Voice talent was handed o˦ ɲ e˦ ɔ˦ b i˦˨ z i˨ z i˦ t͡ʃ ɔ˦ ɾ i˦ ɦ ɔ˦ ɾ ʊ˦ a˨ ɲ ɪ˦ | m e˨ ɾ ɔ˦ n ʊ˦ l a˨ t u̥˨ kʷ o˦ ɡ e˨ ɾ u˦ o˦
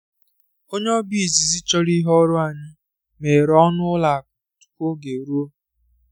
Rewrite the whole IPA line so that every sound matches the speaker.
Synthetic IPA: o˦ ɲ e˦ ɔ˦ b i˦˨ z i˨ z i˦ t͡ʃ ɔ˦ ɾ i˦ ɦ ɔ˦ ɾ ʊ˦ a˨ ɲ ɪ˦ | m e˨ ɾ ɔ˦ n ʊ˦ l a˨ t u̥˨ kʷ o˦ ɡ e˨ ɾ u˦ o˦